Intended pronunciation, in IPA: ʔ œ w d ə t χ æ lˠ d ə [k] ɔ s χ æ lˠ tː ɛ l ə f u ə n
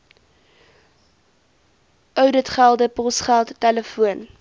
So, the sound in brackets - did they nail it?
no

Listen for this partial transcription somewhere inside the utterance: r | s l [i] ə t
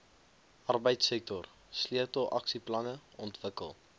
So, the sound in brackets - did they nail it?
yes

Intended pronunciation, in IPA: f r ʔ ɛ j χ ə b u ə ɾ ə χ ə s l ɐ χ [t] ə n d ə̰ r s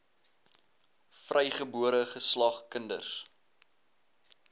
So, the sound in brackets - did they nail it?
no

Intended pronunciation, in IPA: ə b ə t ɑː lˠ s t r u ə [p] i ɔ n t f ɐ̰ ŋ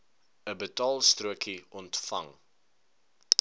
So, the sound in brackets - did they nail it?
no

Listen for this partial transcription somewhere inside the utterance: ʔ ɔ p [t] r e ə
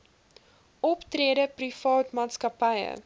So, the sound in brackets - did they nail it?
yes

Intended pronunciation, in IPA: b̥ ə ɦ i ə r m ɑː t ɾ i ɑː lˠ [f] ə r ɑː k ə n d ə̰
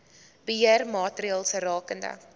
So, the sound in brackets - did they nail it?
no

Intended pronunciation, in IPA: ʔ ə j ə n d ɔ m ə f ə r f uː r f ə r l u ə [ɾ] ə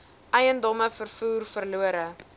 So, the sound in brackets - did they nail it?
yes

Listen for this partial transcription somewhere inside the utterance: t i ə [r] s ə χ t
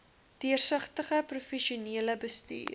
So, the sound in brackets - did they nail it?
yes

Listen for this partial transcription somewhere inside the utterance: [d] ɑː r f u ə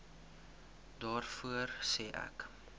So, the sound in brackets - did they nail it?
yes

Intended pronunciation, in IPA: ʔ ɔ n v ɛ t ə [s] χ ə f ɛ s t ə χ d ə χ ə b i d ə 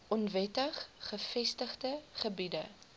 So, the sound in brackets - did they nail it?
no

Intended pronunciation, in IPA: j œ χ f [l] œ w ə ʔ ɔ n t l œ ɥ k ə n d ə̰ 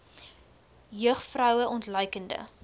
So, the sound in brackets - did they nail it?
no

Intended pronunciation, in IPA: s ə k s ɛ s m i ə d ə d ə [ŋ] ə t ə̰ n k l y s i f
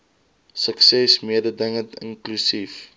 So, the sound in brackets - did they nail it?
yes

